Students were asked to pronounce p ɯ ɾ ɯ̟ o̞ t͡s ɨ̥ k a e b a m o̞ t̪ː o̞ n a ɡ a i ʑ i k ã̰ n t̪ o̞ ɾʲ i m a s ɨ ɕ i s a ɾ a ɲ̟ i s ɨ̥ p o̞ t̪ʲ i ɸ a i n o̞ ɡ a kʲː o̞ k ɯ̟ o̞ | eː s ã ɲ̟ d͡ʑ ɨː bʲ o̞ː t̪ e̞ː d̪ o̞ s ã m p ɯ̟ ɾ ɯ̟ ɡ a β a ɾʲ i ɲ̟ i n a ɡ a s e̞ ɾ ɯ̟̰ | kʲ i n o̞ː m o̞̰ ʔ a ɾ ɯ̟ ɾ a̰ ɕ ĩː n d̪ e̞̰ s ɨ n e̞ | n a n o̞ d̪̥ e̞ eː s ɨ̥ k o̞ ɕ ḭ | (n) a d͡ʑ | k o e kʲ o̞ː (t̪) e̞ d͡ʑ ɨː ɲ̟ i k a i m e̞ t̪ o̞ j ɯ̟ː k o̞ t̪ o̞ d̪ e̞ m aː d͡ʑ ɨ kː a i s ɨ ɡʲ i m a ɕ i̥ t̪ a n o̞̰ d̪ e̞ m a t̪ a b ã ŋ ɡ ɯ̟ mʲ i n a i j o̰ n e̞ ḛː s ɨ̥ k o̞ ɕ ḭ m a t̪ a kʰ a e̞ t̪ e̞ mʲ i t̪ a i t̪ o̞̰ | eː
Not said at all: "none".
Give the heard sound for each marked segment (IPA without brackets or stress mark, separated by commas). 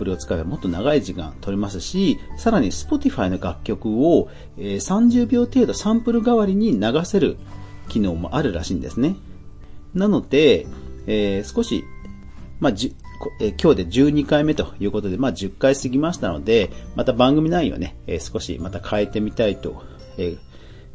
m, d̪